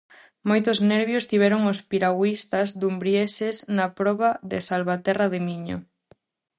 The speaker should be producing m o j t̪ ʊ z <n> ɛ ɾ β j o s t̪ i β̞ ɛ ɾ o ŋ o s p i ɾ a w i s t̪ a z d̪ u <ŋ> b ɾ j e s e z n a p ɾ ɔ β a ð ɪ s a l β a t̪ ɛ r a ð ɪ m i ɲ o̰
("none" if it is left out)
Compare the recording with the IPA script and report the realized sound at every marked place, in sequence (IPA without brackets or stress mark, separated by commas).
n, m